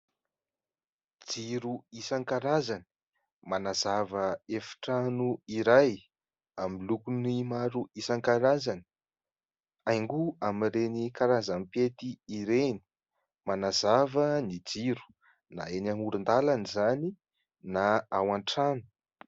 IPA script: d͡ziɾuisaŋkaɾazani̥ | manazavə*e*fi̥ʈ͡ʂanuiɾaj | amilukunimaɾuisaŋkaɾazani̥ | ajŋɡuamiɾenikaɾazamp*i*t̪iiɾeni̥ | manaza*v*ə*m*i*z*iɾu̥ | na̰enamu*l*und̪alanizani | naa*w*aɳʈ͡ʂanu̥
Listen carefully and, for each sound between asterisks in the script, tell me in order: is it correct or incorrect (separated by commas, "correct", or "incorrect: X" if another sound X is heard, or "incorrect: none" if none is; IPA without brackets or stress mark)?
correct, incorrect: e, correct, incorrect: n, incorrect: d͡z, incorrect: ɾ, correct